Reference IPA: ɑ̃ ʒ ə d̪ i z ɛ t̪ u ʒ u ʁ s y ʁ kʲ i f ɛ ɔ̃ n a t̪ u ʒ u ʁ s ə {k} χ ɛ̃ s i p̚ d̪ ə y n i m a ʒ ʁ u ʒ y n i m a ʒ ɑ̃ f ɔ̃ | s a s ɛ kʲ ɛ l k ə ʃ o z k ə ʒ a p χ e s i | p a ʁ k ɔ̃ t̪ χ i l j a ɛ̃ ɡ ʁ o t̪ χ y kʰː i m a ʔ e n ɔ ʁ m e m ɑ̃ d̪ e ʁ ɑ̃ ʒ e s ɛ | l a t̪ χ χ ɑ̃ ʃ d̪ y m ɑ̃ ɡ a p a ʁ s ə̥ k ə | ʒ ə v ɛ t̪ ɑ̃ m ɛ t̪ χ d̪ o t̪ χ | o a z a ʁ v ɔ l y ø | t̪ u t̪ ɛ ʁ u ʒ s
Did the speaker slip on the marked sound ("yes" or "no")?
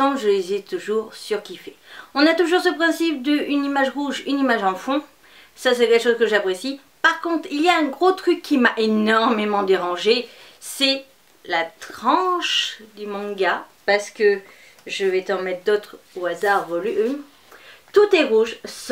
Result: yes